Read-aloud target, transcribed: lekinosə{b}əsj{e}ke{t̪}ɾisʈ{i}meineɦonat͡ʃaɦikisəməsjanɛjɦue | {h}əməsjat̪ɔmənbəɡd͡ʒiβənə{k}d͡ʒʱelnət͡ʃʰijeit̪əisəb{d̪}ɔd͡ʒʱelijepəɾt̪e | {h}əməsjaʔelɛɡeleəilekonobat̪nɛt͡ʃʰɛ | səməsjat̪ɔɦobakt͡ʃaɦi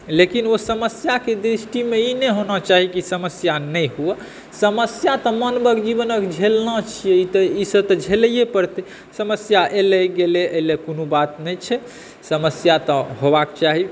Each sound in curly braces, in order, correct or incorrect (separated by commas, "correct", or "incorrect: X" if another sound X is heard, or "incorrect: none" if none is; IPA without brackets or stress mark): incorrect: m, incorrect: a, incorrect: d̪, correct, incorrect: s, correct, incorrect: t̪, incorrect: s